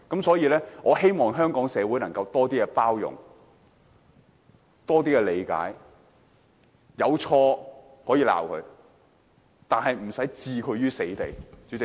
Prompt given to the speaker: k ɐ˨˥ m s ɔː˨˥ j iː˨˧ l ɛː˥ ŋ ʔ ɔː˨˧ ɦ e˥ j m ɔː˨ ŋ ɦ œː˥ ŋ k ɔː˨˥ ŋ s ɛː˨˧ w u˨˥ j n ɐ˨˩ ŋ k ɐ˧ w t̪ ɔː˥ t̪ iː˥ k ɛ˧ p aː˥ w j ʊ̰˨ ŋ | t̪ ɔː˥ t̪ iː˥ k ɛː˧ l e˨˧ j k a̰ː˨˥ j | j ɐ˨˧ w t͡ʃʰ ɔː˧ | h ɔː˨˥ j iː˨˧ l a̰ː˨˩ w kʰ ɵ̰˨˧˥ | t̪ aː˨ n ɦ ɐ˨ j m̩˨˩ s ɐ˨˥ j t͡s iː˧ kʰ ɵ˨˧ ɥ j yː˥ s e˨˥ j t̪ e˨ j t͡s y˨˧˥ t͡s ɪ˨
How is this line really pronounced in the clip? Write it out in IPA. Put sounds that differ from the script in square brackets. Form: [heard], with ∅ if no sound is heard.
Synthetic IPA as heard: k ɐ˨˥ m s ɔː˨˥ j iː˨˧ l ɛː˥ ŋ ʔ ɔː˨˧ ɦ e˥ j m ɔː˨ ŋ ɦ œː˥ ŋ k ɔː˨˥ ŋ s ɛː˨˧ w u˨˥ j n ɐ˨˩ ŋ k ɐ˧ w t̪ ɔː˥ t̪ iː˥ k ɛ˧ p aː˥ w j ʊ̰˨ ŋ | t̪ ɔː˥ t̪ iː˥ k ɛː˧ l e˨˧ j k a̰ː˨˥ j | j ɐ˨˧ w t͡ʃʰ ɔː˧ | h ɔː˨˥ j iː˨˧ l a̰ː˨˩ w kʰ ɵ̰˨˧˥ | t̪ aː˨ n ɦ ɐ˨ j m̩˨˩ s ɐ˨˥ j t͡s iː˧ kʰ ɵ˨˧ ɥ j yː˥ s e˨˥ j t̪ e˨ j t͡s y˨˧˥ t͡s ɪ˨